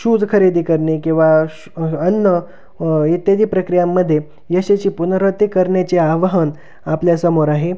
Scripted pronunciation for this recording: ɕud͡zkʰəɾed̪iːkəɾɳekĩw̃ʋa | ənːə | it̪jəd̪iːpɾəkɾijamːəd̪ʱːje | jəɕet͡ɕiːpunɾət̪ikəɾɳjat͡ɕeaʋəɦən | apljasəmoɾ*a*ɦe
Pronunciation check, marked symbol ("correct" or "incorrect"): correct